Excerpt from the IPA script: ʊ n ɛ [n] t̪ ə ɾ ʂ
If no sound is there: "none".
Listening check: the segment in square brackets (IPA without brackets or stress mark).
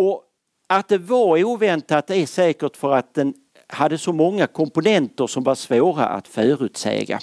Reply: n